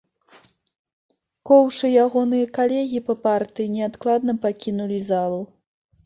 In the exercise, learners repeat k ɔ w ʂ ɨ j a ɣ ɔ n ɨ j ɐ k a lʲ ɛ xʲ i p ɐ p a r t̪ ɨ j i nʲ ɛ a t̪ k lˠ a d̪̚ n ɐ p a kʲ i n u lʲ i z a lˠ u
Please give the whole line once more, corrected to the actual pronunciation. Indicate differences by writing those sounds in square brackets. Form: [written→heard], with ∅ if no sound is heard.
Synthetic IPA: k ɔ w ʂ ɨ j a ɣ ɔ n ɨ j ɐ k a lʲ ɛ [xʲ→ɣʲ] i p ɐ p a r t̪ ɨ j i nʲ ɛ a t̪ k lˠ a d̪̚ n ɐ p a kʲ i n u lʲ i z a lˠ u